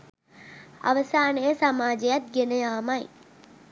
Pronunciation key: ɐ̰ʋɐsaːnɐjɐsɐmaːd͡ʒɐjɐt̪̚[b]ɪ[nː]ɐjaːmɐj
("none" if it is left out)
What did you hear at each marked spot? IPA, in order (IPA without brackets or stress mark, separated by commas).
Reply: ɡ, n